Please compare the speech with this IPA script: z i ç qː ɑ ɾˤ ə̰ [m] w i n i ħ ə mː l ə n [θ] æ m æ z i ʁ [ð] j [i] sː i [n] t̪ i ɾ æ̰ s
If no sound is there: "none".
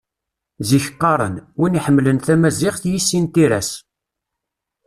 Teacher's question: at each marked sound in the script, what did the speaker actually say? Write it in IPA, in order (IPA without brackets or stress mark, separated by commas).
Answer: n, θ, θ, i, n